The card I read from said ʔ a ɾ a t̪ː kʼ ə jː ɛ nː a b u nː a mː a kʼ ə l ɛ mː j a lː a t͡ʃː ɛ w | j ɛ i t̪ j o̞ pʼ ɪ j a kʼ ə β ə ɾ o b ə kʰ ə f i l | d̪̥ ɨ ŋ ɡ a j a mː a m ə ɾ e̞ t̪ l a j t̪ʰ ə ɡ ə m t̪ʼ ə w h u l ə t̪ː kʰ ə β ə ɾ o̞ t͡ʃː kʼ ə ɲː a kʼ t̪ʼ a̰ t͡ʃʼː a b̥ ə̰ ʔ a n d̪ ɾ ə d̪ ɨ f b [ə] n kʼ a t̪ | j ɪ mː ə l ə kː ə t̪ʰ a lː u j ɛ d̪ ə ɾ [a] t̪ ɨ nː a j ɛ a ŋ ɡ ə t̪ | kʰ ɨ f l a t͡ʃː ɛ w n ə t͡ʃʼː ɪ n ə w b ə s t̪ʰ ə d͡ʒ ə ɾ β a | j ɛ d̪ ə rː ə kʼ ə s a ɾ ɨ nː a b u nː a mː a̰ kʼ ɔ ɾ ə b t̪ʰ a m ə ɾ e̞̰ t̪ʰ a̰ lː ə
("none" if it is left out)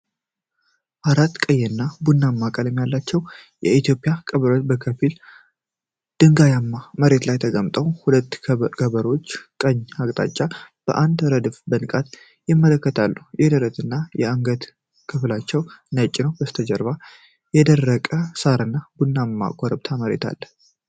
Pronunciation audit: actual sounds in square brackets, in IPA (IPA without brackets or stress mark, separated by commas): ə, ə